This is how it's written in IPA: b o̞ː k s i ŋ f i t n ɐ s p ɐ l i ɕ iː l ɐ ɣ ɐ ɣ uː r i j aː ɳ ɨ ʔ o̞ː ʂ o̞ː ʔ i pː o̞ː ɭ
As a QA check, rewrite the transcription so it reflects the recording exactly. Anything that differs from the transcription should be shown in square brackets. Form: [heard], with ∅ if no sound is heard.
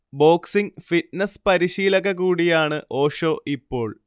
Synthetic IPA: b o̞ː k s i ŋ f i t n ɐ s p ɐ [ɾ] i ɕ iː l ɐ ɣ ɐ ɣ uː [ɽ] i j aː ɳ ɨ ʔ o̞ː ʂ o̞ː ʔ i pː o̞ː ɭ